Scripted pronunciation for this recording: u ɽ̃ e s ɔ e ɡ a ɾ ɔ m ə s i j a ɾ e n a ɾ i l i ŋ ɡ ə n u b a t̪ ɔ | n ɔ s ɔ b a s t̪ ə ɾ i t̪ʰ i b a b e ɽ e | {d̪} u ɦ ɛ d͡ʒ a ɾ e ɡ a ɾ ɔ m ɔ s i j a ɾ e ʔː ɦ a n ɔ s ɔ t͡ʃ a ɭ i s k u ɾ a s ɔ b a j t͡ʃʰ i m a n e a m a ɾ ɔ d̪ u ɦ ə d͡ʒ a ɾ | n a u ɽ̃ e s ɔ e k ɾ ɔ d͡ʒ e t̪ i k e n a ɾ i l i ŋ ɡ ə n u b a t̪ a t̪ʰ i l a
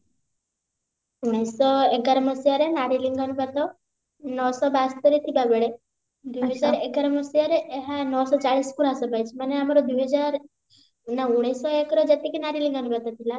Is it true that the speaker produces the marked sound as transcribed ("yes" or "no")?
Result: yes